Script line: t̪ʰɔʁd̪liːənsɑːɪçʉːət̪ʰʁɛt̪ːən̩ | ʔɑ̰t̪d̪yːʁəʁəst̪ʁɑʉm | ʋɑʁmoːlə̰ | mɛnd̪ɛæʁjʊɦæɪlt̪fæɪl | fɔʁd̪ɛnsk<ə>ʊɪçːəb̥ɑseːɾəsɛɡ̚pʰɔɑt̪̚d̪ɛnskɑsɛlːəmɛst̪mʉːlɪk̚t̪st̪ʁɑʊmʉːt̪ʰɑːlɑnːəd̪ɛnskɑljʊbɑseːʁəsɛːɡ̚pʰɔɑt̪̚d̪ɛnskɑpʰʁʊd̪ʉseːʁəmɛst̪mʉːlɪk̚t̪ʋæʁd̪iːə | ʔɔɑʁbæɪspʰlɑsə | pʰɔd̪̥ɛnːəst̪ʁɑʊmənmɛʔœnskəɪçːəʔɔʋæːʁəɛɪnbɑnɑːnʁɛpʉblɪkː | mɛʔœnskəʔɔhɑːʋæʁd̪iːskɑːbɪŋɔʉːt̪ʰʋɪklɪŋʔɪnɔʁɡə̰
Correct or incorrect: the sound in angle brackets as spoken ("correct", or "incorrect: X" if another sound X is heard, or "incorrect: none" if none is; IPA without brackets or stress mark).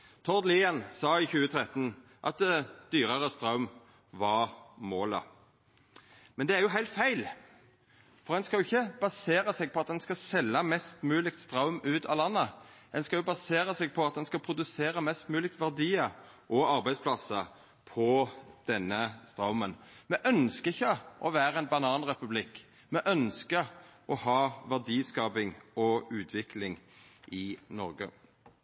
incorrect: ɑ